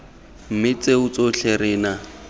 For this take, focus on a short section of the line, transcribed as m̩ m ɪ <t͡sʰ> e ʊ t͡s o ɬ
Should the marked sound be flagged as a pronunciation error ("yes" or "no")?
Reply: yes